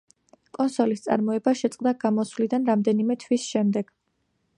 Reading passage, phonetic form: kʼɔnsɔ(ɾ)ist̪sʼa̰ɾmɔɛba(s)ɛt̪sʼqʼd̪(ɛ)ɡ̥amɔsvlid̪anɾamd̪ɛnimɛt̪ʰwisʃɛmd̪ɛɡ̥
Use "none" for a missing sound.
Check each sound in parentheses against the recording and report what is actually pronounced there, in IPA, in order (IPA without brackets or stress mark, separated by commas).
l, ʃ, a